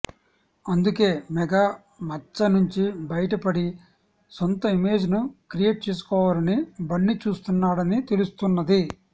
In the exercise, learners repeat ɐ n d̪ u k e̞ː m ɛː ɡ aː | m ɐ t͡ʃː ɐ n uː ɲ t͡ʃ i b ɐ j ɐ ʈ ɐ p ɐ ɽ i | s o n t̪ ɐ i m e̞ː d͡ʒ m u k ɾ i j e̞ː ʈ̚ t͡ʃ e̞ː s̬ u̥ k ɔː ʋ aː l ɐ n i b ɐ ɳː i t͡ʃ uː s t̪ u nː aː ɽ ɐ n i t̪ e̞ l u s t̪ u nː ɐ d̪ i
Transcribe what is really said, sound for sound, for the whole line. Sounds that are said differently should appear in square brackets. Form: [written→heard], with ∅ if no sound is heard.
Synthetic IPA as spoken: ɐ n d̪ u k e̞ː m [ɛː→ɛ] ɡ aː | m ɐ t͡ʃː ɐ n [uː→u] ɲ t͡ʃ i b ɐ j ɐ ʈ ɐ p ɐ ɽ i | s o n t̪ ɐ i m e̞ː d͡ʒ [m→n] u k ɾ i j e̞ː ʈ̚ t͡ʃ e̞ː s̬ u̥ k ɔː ʋ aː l ɐ n i b ɐ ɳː i t͡ʃ uː s t̪ u nː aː ɽ ɐ n i t̪ e̞ l u s t̪ u nː ɐ d̪ i